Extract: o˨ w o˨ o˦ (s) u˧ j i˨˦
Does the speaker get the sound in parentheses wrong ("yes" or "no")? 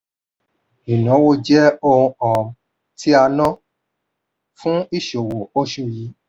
yes